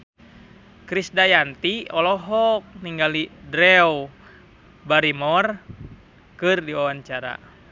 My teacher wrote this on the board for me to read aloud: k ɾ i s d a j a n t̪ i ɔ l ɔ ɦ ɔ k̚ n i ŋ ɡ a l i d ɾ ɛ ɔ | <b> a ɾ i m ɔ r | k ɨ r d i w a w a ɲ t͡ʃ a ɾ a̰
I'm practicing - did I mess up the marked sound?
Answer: no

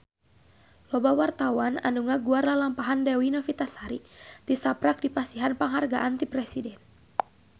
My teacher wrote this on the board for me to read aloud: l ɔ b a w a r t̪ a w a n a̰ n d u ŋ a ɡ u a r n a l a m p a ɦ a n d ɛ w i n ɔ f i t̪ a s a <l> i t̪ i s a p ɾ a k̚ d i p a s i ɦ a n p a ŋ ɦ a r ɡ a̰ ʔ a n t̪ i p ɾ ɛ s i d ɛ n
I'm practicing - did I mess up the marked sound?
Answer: yes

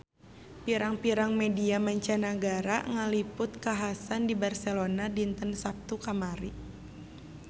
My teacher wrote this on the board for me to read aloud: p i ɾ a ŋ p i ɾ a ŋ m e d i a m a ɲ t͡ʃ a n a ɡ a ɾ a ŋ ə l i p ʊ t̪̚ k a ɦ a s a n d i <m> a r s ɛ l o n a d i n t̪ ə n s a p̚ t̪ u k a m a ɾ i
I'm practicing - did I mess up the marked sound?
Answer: yes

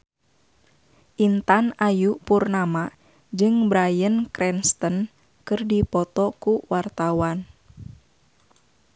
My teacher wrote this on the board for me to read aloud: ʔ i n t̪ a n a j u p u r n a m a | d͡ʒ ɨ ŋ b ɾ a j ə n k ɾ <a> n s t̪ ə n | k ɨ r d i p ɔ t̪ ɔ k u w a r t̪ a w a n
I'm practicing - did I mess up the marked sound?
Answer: yes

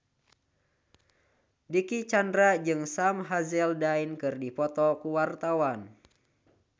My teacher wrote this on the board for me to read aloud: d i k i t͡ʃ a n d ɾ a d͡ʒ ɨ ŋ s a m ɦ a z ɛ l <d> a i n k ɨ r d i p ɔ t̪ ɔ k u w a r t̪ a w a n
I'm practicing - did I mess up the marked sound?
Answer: no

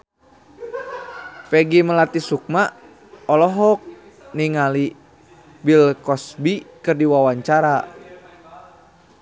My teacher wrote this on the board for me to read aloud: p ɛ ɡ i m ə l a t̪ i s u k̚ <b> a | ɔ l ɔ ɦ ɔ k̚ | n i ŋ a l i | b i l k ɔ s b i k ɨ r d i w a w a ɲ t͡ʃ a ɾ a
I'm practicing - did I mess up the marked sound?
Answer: yes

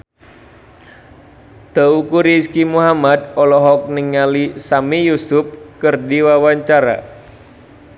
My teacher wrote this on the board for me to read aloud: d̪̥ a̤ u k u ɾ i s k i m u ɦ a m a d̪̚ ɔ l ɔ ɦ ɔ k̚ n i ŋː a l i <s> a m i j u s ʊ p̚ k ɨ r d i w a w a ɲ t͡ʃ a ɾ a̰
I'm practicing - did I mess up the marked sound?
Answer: no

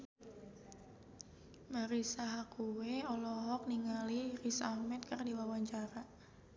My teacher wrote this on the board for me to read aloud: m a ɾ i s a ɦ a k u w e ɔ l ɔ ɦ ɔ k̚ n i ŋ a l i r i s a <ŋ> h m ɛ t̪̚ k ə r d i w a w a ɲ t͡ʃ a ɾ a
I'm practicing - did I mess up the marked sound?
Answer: yes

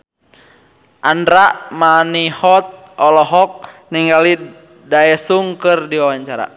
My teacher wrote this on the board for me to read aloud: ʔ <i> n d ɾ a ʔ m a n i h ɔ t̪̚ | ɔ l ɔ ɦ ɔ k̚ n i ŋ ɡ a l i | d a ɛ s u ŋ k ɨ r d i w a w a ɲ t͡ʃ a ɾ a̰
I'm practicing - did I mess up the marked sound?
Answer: yes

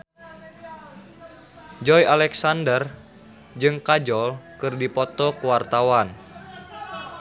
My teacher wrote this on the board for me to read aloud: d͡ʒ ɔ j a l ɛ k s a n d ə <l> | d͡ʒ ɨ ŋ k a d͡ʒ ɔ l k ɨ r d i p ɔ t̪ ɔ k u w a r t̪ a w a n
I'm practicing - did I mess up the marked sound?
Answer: yes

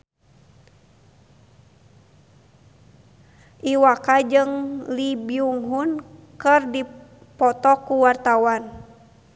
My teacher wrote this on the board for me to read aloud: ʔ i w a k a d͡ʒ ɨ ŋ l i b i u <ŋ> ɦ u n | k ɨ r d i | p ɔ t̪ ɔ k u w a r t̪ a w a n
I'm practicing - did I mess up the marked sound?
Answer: no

